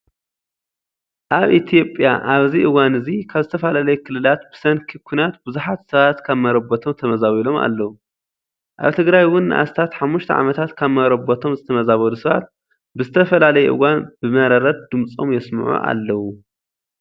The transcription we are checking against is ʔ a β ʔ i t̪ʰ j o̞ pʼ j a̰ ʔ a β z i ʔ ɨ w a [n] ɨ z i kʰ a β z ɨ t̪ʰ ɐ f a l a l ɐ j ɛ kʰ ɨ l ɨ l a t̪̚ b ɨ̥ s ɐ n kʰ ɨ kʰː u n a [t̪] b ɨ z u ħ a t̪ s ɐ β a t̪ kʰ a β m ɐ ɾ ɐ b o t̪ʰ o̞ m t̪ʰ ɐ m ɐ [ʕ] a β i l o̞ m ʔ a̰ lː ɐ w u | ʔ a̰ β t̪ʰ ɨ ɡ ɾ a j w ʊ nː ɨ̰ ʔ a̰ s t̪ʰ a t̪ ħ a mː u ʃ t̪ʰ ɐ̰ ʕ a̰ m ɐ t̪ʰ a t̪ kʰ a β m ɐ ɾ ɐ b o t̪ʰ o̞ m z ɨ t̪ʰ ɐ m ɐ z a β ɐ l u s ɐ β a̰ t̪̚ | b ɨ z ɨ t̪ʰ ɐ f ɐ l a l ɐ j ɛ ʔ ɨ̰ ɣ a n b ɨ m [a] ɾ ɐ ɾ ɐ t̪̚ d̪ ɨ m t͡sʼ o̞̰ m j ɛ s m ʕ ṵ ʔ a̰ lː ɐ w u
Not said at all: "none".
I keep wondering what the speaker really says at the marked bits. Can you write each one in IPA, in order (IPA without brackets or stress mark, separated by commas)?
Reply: n, t̪, z, ɐ